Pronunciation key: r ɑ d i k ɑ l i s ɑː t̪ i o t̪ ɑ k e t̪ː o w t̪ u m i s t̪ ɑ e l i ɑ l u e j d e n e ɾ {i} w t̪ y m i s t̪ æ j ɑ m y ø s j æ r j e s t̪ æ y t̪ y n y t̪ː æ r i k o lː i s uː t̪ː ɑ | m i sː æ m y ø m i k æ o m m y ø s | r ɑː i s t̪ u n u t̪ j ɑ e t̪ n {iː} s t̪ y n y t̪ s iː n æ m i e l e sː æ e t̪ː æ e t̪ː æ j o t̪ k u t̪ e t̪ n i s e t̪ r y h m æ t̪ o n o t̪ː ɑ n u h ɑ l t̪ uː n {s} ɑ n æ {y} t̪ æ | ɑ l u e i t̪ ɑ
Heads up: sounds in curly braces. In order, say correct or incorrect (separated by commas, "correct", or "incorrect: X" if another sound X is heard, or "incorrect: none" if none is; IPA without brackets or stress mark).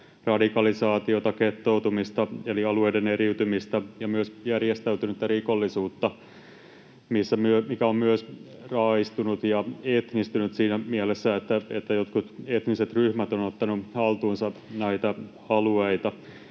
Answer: correct, incorrect: i, correct, incorrect: i